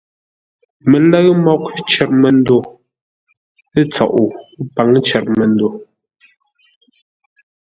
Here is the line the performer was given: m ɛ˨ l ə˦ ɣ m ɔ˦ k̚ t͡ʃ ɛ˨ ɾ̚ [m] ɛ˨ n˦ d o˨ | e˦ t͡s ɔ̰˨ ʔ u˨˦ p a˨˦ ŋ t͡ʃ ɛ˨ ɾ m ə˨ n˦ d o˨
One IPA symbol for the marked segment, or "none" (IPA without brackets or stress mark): m